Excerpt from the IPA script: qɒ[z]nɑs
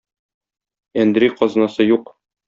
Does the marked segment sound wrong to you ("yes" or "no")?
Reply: no